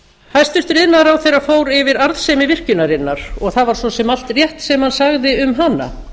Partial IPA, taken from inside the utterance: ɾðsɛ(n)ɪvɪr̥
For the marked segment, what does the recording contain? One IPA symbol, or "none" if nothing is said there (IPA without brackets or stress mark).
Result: m